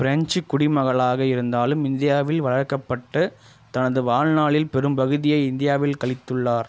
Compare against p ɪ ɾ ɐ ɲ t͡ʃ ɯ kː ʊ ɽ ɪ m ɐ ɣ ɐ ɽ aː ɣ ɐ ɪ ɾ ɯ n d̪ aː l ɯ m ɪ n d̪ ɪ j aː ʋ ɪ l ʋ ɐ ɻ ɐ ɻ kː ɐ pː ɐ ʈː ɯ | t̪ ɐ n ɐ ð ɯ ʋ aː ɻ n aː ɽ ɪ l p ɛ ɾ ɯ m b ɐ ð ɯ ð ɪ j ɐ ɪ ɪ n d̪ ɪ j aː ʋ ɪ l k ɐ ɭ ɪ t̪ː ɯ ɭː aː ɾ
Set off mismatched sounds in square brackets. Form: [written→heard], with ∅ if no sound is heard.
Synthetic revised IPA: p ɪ ɾ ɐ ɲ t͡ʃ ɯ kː ʊ ɽ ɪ m ɐ ɣ ɐ [ɽ→ɭ] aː ɣ ɐ ɪ ɾ ɯ n d̪ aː l ɯ m ɪ n d̪ ɪ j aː ʋ ɪ l ʋ ɐ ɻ ɐ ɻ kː ɐ pː ɐ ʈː ɯ | t̪ ɐ n ɐ ð ɯ ʋ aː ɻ n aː [ɽ→ɭ] ɪ l p ɛ ɾ ɯ m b ɐ [ð→ɣ] ɯ ð ɪ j ɐ ɪ ɪ n d̪ ɪ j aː ʋ ɪ l k ɐ ɭ ɪ t̪ː ɯ ɭː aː ɾ